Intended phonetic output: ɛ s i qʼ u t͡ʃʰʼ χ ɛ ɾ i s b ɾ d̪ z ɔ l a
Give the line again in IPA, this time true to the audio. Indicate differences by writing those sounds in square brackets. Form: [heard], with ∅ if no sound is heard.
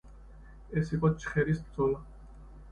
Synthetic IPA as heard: ɛ s i qʼ [ɔ] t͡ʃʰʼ χ ɛ ɾ i s b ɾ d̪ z ɔ l a